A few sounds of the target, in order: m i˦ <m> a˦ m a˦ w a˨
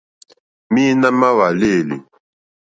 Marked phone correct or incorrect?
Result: incorrect: n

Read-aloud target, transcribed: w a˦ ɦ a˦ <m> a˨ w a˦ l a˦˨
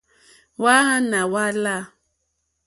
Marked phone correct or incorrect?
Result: incorrect: n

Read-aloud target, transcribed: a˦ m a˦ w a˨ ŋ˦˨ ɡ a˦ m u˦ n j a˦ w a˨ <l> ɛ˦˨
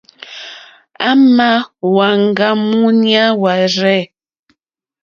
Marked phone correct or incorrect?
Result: incorrect: ɾ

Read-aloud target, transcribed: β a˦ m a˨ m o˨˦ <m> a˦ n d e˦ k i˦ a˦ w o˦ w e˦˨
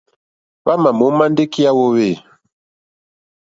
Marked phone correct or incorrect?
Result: correct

